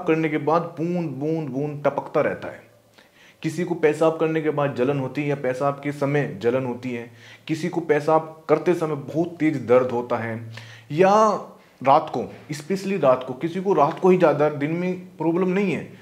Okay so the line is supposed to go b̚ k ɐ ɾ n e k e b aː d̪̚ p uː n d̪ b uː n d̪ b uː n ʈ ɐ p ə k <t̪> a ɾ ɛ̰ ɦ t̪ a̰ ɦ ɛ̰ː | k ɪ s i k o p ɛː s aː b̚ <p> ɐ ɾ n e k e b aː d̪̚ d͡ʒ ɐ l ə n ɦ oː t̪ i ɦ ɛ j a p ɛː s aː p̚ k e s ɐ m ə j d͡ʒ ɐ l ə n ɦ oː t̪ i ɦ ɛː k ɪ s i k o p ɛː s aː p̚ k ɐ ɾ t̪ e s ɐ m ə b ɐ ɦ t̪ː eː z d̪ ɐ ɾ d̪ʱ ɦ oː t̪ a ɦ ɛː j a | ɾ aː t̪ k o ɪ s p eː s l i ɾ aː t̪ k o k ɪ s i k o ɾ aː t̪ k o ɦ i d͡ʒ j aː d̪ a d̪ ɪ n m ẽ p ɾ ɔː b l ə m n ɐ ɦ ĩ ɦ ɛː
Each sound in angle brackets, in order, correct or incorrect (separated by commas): correct, incorrect